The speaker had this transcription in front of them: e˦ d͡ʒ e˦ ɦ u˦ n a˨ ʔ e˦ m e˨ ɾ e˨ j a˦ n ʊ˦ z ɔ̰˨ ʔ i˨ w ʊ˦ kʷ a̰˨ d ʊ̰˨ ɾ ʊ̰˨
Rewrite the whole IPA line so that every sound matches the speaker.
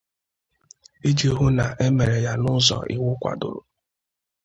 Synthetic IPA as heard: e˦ d͡ʒ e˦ ɦ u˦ n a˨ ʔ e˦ m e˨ ɾ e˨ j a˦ n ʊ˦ z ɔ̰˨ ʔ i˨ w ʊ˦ kʷ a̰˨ d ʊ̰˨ ɾ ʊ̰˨